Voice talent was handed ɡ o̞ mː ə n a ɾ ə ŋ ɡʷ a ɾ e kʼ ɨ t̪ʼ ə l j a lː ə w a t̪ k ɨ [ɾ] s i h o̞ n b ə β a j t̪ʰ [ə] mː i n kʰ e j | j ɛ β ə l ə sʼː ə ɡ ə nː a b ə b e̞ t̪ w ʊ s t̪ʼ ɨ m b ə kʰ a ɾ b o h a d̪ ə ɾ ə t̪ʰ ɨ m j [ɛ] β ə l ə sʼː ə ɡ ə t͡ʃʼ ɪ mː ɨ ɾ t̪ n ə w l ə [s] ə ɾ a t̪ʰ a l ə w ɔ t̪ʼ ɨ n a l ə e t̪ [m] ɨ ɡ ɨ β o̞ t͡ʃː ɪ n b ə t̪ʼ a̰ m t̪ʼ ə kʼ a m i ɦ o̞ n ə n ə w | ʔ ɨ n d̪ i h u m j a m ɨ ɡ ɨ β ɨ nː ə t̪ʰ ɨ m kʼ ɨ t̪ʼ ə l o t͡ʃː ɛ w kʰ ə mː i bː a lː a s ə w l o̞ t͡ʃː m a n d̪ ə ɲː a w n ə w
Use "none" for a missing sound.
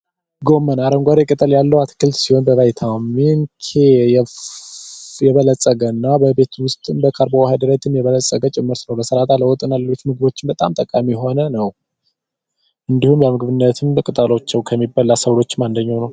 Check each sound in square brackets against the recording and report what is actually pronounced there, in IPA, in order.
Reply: l, a, ɛ, s, m

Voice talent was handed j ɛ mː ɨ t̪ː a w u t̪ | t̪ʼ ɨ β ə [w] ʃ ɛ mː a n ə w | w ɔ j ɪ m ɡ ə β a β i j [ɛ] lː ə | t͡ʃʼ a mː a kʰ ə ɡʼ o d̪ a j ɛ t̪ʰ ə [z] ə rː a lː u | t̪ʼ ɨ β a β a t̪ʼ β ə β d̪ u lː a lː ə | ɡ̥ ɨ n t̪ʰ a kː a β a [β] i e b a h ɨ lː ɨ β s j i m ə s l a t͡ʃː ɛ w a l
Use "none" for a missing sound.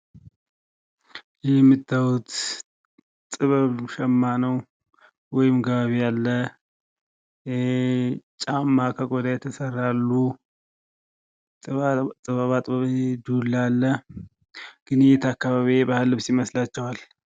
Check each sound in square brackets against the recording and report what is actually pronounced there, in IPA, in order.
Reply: β, a, s, β

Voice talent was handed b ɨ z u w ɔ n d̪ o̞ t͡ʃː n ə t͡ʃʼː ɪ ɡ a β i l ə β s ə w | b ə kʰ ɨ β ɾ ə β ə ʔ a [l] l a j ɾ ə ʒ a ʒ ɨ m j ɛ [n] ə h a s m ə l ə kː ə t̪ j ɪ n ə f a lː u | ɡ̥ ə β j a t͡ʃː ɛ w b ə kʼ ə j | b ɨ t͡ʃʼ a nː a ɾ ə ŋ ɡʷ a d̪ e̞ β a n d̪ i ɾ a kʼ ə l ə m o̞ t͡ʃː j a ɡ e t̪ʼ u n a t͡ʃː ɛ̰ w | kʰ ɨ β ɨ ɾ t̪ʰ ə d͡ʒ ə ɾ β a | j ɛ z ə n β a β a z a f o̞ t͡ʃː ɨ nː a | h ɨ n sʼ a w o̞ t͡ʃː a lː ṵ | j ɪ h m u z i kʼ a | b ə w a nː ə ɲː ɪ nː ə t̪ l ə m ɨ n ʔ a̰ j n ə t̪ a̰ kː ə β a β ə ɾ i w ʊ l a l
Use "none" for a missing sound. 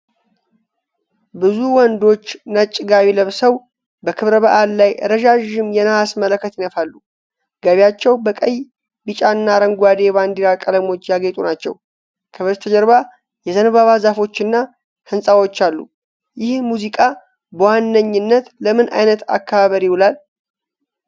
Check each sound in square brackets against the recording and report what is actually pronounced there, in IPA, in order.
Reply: l, n

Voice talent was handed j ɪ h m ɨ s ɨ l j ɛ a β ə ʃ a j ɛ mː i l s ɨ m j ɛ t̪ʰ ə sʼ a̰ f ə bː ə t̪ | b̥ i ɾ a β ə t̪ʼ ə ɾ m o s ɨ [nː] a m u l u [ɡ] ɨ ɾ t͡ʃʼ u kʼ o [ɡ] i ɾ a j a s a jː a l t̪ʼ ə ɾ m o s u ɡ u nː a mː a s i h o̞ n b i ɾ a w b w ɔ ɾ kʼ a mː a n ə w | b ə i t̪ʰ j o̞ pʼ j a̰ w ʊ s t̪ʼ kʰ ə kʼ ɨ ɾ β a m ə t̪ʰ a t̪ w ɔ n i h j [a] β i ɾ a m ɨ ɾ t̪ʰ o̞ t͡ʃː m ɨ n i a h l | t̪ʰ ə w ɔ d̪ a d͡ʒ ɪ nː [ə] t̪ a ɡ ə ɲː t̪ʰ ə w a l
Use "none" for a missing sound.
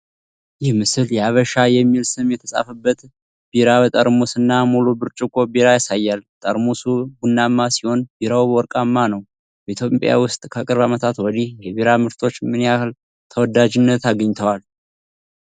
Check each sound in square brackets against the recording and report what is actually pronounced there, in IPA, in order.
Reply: nː, b, b, ɛ, ə

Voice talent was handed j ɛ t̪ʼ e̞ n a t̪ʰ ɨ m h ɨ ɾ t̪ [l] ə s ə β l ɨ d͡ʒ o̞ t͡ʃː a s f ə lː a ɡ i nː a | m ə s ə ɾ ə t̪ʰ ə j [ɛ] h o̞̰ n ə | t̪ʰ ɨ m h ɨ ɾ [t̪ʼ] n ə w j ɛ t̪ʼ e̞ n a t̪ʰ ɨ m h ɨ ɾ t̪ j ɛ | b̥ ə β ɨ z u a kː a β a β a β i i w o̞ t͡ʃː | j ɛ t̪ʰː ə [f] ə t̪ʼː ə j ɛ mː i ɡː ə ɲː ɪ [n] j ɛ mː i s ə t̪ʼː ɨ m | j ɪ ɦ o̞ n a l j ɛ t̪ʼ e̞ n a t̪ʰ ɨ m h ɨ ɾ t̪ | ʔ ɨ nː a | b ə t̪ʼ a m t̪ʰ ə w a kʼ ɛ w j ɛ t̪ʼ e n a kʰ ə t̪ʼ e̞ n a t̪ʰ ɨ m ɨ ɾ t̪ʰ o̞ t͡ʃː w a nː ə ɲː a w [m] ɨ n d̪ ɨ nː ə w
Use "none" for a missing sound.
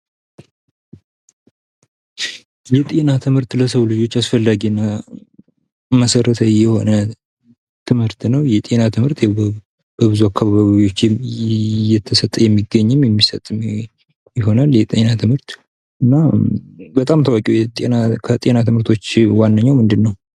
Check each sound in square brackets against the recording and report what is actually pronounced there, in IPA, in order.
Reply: l, ɛ, t̪, s, m, m

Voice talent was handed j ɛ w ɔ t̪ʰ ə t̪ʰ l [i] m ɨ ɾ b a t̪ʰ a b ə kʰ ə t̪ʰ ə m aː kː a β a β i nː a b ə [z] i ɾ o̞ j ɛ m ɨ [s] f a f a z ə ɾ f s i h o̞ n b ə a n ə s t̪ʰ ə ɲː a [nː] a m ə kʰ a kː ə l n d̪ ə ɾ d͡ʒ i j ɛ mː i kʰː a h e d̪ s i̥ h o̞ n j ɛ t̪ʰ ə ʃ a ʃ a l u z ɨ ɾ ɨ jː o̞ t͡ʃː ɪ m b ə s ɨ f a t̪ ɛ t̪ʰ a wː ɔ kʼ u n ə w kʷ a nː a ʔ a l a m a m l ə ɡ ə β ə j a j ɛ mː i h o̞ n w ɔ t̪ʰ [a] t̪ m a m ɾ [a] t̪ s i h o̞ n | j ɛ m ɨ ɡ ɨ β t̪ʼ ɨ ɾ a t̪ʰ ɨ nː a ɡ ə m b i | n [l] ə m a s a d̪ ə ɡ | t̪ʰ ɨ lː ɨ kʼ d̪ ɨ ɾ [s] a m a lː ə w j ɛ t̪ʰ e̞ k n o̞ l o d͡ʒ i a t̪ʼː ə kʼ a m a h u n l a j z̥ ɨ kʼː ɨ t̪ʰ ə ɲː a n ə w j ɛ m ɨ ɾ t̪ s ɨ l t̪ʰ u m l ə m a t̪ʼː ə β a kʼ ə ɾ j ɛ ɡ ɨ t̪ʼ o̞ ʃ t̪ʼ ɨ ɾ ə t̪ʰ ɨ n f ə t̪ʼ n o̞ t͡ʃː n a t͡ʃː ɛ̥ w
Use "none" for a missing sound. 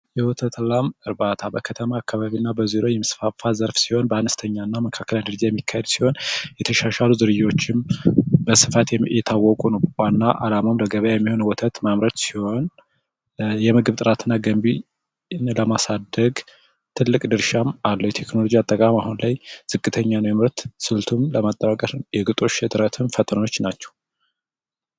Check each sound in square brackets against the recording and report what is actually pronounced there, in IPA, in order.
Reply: a, z, s, nː, ə, ə, l, ʃ

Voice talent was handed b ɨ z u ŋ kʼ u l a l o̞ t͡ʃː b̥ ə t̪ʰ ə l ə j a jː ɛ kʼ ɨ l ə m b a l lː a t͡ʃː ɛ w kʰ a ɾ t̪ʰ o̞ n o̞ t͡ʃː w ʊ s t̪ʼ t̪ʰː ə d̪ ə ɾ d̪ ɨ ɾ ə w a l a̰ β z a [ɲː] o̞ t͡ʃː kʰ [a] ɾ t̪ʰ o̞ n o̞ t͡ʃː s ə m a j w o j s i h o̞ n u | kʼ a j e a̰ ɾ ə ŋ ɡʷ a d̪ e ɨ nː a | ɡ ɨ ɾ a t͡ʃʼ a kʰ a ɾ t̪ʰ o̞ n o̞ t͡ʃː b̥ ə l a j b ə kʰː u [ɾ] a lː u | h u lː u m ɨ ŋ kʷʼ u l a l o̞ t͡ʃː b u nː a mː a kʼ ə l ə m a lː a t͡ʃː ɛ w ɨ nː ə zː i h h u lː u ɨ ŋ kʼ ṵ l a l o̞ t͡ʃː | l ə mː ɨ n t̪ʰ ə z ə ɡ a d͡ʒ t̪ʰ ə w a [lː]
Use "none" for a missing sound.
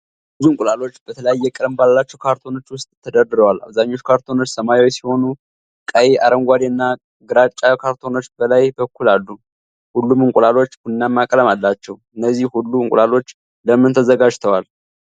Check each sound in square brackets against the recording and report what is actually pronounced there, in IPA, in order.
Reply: ɲː, a, l, l

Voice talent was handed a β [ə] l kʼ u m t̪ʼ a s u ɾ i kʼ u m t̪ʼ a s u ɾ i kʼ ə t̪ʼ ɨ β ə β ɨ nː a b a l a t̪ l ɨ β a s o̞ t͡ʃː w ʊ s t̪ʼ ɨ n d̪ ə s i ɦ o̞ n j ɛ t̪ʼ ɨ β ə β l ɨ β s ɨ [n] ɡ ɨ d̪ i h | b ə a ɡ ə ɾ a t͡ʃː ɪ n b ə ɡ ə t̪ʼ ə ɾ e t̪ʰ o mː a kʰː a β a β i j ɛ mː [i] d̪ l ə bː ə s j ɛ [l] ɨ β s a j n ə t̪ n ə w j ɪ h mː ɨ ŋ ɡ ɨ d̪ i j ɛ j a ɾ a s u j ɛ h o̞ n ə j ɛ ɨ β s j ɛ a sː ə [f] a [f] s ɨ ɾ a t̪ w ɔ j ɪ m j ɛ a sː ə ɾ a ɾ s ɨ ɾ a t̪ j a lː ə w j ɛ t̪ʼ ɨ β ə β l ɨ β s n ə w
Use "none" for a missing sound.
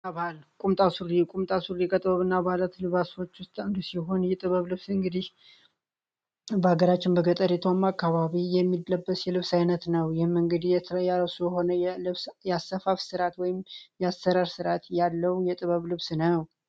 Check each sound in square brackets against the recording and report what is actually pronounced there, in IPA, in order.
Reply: a, ŋ, i, l, f, f

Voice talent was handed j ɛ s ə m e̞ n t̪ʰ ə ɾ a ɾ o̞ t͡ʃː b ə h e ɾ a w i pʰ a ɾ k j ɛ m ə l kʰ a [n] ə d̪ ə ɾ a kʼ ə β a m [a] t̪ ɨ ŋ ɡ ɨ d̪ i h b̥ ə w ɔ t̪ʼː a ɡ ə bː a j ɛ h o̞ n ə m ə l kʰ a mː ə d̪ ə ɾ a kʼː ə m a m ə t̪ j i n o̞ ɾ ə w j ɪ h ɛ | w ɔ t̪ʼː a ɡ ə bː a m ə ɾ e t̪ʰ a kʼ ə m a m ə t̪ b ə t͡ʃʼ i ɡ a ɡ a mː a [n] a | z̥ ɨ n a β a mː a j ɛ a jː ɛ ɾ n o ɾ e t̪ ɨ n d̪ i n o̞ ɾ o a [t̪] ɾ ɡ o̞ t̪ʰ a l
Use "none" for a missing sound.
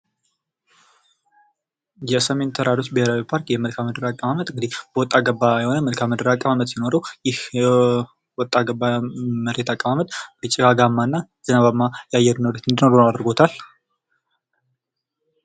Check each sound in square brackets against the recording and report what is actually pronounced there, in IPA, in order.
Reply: m, ə, nː, d̪

